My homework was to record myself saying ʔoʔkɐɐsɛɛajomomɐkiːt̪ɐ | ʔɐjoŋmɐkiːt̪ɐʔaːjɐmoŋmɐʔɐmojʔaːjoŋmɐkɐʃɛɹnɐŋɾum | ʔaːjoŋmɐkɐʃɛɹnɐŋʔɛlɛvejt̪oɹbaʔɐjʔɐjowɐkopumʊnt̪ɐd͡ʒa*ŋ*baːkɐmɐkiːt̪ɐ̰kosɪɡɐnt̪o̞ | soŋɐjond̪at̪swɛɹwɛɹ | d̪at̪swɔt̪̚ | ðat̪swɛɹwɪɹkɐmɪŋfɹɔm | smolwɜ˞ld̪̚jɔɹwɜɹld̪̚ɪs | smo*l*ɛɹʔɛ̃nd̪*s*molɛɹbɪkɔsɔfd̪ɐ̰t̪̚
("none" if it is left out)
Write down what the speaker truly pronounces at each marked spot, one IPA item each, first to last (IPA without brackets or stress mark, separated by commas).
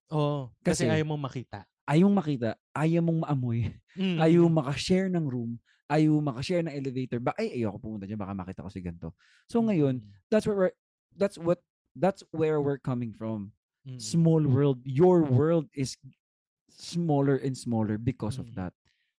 n, l, s